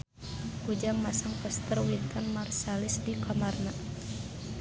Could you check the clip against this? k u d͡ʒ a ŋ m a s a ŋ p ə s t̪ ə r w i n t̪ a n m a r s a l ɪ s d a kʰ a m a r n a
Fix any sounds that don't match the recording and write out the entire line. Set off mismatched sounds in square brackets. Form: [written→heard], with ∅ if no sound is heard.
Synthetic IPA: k u d͡ʒ a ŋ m a s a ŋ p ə s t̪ ə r w i n t̪ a n m a r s a l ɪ s d [a→i] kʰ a m a r n a

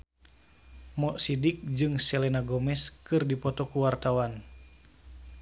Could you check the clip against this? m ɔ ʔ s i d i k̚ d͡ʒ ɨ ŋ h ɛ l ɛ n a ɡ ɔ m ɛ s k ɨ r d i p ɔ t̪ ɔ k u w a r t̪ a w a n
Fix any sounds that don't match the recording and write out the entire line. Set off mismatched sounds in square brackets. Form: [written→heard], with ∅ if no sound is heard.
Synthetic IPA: m ɔ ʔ s i d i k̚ d͡ʒ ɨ ŋ [h→s] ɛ l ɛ n a ɡ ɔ m ɛ s k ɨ r d i p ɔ t̪ ɔ k u w a r t̪ a w a n

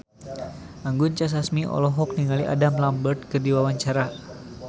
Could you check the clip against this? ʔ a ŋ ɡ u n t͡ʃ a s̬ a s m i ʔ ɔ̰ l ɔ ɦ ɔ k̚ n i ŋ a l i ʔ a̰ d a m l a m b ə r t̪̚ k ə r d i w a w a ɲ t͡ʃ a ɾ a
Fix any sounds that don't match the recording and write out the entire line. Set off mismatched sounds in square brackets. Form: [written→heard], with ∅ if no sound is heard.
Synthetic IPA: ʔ a ŋ ɡ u n t͡ʃ a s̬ a s m i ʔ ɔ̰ l ɔ ɦ ɔ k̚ n i ŋ a l i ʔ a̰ d a m l a m b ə r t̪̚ k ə r d i w a w a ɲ t͡ʃ a ɾ a

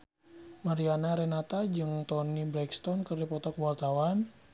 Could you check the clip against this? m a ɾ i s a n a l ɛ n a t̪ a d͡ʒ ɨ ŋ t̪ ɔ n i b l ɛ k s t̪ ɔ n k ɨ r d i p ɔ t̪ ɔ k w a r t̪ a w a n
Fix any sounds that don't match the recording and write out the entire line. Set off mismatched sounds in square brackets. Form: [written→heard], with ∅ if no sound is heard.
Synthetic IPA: m a ɾ i [s→∅] a n a [l→ɾ] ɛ n a t̪ a d͡ʒ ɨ ŋ t̪ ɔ n i b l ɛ k s t̪ ɔ n k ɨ r d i p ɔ t̪ ɔ k w a r t̪ a w a n

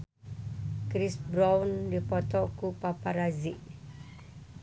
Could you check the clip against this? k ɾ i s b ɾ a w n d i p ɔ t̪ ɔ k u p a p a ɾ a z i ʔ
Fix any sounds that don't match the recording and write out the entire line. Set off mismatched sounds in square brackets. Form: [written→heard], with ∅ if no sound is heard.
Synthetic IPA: k ɾ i s b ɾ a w n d i p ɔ t̪ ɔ k u p a p a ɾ a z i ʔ

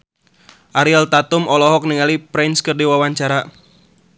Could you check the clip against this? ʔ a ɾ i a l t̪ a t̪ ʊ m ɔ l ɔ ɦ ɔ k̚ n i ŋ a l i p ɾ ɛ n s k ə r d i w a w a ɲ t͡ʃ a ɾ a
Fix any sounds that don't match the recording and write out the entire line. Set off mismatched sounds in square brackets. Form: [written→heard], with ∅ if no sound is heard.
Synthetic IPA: ʔ a ɾ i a l t̪ a t̪ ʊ m ɔ l ɔ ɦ ɔ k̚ n i ŋ a l i p ɾ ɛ n s k ə r d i w a w a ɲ t͡ʃ a ɾ a

